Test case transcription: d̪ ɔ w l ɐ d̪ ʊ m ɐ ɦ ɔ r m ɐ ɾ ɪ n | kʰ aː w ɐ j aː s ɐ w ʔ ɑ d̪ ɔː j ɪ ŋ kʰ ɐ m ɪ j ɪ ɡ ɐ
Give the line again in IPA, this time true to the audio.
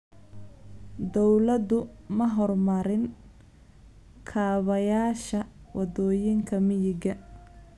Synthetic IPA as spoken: d̪ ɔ w l ɐ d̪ ʊ m ɐ ɦ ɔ r m ɐ ɾ ɪ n | kʰ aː β ɐ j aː ʃ ɐ w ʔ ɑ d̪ ɔː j ɪ ŋ kʰ ɐ m ɪ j ɪ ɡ ɐ